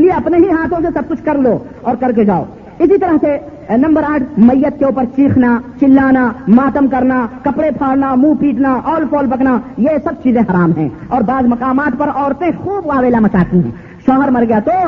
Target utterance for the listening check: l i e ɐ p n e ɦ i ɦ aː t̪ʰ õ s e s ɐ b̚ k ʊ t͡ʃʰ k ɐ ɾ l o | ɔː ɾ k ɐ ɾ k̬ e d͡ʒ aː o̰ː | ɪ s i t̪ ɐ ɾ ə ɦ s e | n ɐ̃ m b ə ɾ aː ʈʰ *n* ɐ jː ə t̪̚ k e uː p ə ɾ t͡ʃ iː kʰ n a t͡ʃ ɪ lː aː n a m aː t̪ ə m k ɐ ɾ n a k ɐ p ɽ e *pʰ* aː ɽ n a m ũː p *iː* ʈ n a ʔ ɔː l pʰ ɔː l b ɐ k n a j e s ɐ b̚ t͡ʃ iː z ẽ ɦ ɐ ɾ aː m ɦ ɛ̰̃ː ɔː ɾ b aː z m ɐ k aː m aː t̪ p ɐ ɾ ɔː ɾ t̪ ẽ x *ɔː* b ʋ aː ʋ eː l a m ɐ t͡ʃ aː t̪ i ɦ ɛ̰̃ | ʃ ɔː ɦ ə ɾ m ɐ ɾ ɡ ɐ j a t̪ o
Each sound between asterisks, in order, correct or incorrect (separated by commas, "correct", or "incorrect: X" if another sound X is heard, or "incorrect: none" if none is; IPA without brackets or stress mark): incorrect: m, correct, correct, incorrect: uː